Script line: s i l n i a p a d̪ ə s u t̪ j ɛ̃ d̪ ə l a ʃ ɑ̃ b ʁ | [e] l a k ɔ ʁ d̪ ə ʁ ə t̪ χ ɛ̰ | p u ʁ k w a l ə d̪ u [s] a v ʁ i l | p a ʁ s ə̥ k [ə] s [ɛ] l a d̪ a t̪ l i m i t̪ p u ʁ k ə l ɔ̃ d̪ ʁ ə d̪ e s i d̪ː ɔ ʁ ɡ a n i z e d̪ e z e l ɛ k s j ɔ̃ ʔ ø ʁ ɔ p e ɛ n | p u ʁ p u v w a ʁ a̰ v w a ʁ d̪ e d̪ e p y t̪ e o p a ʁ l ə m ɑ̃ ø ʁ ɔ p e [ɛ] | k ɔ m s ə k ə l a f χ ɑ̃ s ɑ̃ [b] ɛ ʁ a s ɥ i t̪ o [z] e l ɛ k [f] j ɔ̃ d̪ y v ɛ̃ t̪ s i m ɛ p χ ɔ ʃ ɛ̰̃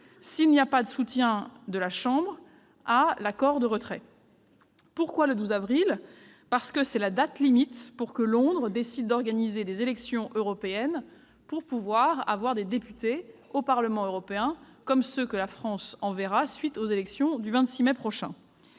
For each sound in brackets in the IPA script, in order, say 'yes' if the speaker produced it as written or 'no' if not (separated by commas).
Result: no, no, yes, yes, no, no, yes, no